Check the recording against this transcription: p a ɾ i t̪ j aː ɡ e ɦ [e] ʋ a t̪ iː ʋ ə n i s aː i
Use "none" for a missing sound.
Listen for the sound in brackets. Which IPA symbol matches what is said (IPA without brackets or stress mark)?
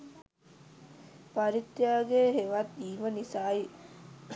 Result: e